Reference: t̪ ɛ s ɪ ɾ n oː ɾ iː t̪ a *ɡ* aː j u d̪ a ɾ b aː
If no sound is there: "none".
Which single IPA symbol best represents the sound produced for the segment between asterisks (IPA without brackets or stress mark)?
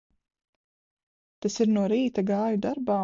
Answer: ɡ